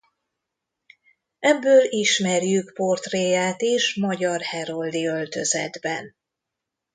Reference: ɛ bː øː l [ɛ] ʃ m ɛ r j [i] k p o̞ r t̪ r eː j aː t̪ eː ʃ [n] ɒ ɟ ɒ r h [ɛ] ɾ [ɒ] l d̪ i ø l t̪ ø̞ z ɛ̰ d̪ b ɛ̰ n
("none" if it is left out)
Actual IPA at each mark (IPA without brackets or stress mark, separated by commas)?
i, y, m, ɛ, o